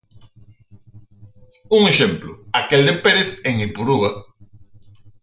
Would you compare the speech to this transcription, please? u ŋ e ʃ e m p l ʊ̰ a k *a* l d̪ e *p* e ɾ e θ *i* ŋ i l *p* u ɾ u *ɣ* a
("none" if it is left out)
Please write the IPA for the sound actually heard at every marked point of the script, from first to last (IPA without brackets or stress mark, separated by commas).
e, p, e, p, ɣ